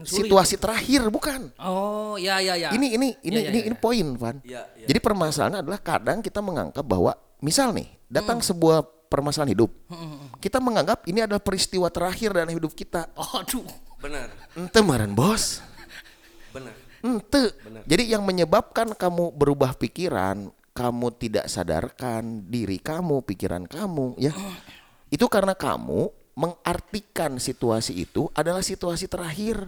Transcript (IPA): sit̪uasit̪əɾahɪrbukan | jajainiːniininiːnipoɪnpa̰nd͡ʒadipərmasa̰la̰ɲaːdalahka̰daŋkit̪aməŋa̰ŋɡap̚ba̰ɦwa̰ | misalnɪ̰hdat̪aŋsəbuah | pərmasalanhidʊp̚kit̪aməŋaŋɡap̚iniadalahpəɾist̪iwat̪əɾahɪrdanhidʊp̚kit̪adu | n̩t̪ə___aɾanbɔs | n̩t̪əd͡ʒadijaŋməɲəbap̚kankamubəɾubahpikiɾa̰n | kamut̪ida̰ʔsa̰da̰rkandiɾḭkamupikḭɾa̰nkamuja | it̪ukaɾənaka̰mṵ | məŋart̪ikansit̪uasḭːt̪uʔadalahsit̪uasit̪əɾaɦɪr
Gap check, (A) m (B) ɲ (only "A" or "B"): A